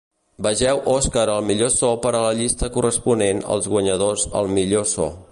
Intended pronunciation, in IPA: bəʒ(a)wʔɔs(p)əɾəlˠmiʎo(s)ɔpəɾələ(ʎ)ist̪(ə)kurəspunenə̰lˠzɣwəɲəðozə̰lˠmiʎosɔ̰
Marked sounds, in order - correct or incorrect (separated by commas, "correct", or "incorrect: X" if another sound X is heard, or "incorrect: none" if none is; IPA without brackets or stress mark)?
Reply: incorrect: ɛ, incorrect: k, correct, correct, correct